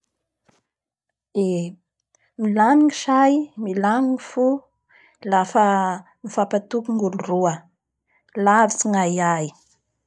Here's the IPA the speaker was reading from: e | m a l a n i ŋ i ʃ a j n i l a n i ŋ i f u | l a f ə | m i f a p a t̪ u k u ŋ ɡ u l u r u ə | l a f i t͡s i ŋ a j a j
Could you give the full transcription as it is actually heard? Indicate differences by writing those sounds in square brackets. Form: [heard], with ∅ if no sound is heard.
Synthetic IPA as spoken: e | m [i] l a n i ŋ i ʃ a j [m] i l a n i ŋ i f u | l a f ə | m i f a p a t̪ u k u ŋ ɡ u l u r u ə | l a [v] i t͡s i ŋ a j a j

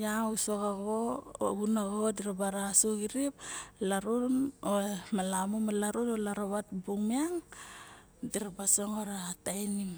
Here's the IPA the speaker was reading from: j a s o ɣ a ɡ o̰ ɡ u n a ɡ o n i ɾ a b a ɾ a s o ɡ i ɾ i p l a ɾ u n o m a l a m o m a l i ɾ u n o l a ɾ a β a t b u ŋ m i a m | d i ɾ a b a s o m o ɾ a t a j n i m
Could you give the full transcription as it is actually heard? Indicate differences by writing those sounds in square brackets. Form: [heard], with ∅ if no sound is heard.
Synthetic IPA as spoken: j a s o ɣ a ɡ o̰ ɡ u n a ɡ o [d] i ɾ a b a ɾ a s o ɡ i ɾ i p l a ɾ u n o m a l a m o m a l [a] ɾ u n o l a ɾ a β a t b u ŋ m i a [ŋ] | d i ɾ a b a s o [ŋ] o ɾ a t a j n i m

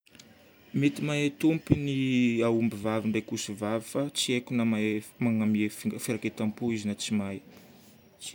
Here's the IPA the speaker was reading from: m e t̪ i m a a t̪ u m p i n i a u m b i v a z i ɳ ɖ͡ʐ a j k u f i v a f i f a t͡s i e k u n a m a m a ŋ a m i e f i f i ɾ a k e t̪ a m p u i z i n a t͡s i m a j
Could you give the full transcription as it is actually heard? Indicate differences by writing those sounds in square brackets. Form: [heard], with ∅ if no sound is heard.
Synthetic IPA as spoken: m e t̪ i m a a t̪ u m p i n i a u m b i v a [v] i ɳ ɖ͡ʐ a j k u [s] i v a [v] i f a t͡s i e k u n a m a m a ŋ a m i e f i f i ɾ a k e t̪ a m p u i z i n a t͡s i m a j

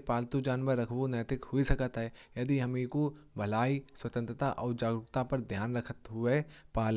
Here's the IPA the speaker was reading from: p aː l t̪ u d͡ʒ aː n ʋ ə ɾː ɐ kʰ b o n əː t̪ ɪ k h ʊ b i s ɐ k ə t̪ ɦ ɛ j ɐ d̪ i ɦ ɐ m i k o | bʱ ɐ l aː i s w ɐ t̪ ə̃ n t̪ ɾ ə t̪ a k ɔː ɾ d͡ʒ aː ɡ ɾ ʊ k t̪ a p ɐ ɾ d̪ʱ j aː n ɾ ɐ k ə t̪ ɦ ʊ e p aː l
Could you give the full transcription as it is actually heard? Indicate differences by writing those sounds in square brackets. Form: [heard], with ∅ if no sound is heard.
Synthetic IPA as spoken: p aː l t̪ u d͡ʒ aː n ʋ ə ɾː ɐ kʰ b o n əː t̪ ɪ k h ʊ [∅] i s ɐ k ə t̪ ɦ ɛ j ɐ d̪ i ɦ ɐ m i k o | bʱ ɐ l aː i s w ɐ t̪ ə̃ n t̪ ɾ ə t̪ a [ʔ] ɔː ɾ d͡ʒ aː ɡ ɾ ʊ k t̪ a p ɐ ɾ d̪ʱ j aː n ɾ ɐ [kʰ] ə t̪ ɦ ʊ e p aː l

